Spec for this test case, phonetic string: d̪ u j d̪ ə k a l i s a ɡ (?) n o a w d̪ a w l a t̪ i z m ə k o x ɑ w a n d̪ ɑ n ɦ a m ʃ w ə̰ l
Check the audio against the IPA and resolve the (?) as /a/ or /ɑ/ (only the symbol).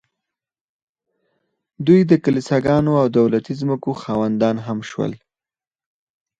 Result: ɑ